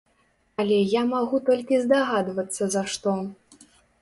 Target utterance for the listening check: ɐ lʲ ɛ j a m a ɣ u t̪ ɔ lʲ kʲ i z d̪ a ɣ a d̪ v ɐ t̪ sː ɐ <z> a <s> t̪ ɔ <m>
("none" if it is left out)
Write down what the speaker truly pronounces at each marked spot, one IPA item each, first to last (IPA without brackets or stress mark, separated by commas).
z, ʂ, none